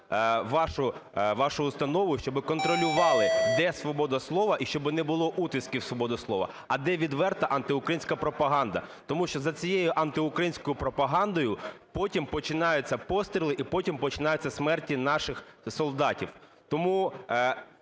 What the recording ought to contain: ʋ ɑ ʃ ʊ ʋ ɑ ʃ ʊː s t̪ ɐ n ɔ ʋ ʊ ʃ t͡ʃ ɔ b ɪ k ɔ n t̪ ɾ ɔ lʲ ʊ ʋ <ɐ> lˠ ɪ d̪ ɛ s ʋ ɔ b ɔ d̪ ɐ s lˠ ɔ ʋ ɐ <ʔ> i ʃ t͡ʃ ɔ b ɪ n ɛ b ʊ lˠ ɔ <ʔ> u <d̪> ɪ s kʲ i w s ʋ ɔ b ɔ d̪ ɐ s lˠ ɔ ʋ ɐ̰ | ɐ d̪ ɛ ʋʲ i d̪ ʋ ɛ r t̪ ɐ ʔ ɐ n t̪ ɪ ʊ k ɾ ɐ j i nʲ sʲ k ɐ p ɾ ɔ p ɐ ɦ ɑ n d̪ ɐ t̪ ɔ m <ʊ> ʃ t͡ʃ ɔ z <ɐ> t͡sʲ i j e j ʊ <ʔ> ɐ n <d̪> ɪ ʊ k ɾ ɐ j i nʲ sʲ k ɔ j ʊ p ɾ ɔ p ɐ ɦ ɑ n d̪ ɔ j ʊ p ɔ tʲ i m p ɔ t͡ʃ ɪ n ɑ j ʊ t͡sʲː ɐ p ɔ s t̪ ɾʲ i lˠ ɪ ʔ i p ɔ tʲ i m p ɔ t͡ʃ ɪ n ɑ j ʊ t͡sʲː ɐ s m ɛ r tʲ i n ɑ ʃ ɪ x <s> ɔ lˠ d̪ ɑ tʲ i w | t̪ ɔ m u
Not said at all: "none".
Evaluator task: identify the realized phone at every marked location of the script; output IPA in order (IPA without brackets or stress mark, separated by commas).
ɑ, ʔ, ʔ, t̪, u, ɐ, ʔ, t̪, s